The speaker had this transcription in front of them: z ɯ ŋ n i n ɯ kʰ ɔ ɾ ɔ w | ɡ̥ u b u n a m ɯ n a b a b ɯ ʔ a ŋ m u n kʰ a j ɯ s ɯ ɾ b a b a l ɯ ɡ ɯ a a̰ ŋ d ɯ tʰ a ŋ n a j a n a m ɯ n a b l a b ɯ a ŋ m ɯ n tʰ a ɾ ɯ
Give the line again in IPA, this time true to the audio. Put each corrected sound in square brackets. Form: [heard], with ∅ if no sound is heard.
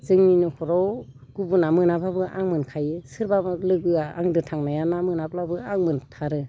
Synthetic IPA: z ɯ ŋ n i n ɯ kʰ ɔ ɾ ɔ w | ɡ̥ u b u n a m ɯ n a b a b ɯ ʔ a ŋ m [ɯ] n kʰ a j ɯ s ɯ ɾ b a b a l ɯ ɡ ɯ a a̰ ŋ d ɯ tʰ a ŋ n a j a n a m ɯ n a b l a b ɯ a ŋ m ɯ n tʰ a ɾ ɯ